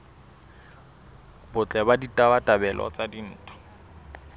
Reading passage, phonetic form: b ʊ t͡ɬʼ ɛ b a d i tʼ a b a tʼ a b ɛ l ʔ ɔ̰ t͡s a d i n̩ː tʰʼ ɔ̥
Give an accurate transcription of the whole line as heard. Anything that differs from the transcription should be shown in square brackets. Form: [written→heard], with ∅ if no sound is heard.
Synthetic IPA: b ʊ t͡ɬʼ ɛ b a d i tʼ a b a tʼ a b ɛ l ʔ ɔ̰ t͡s a d i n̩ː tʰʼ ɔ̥

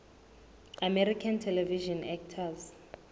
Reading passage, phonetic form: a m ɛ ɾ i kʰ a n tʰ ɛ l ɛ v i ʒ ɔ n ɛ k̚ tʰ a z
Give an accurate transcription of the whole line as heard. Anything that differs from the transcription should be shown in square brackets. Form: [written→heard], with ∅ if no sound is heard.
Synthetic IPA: a m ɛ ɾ i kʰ a n tʰ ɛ l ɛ v i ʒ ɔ n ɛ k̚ tʰ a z

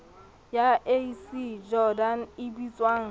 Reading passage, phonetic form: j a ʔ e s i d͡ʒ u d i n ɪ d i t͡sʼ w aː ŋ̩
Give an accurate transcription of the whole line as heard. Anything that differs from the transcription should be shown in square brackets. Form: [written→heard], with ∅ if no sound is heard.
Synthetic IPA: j a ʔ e s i d͡ʒ [u→ɔ] d [i→a] n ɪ [d→b] i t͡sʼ w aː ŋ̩

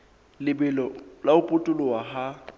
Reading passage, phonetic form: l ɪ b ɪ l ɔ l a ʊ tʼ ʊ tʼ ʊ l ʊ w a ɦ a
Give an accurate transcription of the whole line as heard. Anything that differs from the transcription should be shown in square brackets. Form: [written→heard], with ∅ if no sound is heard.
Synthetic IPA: l ɪ b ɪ l ɔ l a ʊ [tʼ→pʼ] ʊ tʼ ʊ l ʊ w a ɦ a

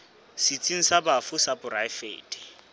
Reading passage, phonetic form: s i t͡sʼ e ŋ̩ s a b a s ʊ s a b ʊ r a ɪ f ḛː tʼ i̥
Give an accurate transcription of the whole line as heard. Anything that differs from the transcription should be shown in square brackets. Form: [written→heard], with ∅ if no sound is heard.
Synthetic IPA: s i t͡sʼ [e→i] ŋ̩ s a b a [s→f] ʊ s a b ʊ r a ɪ f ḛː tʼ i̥

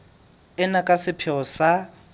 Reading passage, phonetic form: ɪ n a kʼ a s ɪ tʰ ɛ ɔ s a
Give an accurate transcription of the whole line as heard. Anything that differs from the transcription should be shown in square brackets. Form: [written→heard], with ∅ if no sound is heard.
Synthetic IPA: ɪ n a kʼ a s ɪ [tʰ→pʰ] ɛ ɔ s a

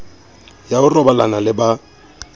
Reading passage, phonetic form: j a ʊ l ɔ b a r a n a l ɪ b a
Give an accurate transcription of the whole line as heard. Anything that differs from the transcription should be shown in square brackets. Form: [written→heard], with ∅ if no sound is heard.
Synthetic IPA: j a ʊ [l→r] ɔ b a [r→l] a n a l ɪ b a

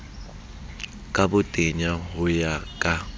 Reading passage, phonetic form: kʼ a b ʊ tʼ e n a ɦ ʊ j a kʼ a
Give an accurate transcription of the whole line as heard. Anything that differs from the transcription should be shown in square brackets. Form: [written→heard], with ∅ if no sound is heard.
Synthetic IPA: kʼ a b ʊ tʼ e [n→ɲ] a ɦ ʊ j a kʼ a

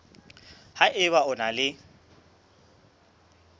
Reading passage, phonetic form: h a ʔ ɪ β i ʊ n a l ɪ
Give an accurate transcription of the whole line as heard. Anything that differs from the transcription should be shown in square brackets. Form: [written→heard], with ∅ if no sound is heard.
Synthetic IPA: h a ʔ ɪ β [i→a] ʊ n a l ɪ

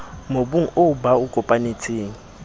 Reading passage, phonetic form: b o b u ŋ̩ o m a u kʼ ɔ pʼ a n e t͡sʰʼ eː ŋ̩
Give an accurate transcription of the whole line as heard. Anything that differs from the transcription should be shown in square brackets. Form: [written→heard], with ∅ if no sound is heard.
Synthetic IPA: [b→m] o b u ŋ̩ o [m→b] a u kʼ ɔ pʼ a n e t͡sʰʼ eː ŋ̩

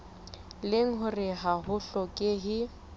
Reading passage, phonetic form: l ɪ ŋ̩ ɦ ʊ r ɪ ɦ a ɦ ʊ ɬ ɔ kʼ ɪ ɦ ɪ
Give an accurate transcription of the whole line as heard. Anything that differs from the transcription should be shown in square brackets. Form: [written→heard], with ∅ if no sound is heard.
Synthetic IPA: l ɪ ŋ̩ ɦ ʊ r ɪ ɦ a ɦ ʊ ɬ ɔ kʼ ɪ ɦ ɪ

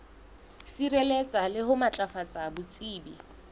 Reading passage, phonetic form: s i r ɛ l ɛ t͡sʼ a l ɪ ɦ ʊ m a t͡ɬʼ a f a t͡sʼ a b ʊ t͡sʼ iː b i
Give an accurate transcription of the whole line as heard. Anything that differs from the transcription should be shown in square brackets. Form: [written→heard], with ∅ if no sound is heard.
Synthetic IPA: s i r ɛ l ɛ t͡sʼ a l ɪ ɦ ʊ m a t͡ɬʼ a f a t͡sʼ a b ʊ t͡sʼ iː b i

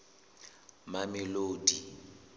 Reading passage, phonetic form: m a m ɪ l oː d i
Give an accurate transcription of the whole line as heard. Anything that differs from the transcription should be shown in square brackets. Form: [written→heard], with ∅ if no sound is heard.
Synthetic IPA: m a m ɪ l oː d i

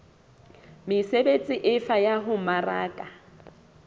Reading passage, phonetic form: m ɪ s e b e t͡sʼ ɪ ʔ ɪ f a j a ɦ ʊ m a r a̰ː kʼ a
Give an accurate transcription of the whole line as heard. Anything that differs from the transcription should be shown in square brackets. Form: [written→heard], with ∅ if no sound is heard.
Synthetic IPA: m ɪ s e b e t͡sʼ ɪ ʔ ɪ f a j a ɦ ʊ m a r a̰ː kʼ a

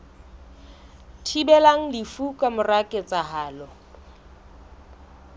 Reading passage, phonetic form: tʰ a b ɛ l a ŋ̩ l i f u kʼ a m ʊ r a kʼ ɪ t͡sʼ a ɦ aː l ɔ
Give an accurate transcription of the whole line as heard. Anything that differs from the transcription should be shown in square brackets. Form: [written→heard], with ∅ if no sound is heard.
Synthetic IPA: tʰ [a→i] b ɛ l a ŋ̩ l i f u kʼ a m ʊ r a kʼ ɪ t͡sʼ a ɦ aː l ɔ

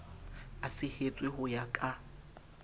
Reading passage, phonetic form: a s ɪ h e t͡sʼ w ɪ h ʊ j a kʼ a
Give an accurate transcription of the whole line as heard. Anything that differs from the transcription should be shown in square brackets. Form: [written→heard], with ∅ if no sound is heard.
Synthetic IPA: a s ɪ h e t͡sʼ w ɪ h ʊ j a kʼ a

